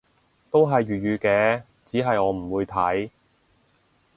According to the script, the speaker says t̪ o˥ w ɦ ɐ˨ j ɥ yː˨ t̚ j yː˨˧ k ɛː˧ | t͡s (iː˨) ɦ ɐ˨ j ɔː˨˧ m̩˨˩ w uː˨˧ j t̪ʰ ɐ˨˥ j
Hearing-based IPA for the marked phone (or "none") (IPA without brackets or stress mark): iː˨˥